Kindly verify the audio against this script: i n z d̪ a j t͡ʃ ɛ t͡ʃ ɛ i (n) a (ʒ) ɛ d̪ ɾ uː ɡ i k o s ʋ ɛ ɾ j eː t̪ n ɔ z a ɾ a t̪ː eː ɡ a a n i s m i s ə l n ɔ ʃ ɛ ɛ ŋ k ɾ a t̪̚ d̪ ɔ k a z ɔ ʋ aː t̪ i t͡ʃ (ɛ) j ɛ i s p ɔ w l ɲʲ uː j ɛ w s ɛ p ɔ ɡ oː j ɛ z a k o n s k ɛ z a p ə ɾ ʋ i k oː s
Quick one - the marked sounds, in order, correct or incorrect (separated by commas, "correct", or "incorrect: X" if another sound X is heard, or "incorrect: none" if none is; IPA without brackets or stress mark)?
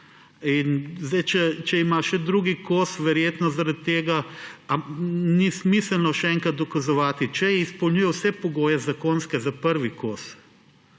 incorrect: m, incorrect: ʃ, correct